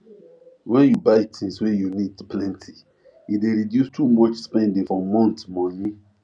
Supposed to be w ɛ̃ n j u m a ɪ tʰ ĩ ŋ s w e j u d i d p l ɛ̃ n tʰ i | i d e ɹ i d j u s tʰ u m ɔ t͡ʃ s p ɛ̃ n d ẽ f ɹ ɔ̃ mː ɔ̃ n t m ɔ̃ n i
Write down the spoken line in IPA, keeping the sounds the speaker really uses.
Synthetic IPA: w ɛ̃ n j u b a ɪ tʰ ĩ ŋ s w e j u n i d p l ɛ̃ n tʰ i | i d e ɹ i d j u s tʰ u m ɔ t͡ʃ s p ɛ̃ n d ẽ f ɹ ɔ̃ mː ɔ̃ n t m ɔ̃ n i